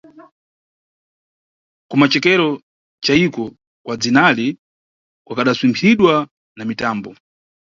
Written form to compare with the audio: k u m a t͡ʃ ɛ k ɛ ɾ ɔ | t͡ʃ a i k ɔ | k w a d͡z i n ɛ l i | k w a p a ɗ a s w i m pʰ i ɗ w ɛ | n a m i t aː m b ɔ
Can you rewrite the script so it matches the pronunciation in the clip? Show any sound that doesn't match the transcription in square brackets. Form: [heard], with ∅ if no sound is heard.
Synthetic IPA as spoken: k u m a t͡ʃ ɛ k ɛ ɾ ɔ | t͡ʃ a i k ɔ | k w a d͡z i n [a] l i | k w a [k] a ɗ a s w i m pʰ i ɗ w [a] | n a m i t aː m b ɔ